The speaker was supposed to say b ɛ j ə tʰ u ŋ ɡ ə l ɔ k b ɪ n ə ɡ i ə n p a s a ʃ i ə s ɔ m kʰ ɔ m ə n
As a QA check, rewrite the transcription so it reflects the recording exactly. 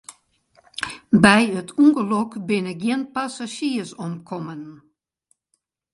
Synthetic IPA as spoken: b ɛ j ə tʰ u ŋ ɡ ə l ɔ k b ɪ n ə ɡ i ə n p a s a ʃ i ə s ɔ m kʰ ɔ m ə n